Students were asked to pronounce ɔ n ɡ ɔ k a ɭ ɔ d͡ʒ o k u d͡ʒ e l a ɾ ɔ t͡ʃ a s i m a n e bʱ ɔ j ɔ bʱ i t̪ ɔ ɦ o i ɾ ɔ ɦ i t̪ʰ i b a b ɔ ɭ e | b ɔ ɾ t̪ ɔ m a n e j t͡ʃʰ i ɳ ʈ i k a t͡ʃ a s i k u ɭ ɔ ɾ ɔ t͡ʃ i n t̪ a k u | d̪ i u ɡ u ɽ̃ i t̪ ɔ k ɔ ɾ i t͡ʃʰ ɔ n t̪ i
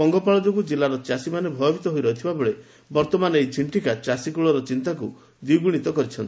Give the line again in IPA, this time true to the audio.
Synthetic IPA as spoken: ɔ ŋ ɡ ɔ p a ɭ ɔ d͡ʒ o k u d͡ʒ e l a ɾ ɔ t͡ʃ a s i m a n e bʱ ɔ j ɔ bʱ i t̪ ɔ ɦ o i ɾ ɔ ɦ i t̪ʰ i b a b ɔ ɭ e | b ɔ ɾ t̪ ɔ m a n e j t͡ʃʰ i ɳ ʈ i k a t͡ʃ a s i k u ɭ ɔ ɾ ɔ t͡ʃ i n t̪ a k u | d̪ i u ɡ u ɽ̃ i t̪ ɔ k ɔ ɾ i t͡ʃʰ ɔ n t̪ i